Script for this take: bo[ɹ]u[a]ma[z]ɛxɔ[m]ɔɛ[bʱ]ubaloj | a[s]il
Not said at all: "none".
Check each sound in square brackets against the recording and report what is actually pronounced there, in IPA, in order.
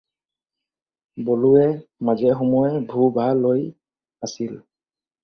l, ɛ, z, m, bʱ, s

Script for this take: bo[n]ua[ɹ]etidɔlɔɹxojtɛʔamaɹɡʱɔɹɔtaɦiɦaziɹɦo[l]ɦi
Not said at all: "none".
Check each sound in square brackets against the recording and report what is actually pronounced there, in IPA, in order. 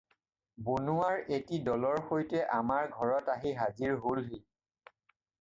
n, ɹ, l

